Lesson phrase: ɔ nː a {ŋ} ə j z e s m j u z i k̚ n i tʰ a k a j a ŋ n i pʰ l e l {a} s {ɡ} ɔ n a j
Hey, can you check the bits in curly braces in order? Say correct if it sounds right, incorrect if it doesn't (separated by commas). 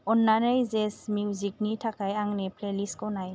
incorrect, incorrect, incorrect